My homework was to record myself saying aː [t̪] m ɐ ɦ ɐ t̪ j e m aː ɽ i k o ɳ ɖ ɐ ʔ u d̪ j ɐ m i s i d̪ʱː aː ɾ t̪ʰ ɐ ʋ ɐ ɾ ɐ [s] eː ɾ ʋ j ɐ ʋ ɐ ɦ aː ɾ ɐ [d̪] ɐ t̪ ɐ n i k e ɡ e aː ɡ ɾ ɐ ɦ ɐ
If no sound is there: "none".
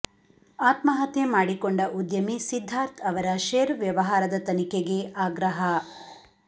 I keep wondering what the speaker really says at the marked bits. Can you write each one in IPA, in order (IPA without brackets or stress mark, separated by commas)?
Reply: t̪, ʃ, d̪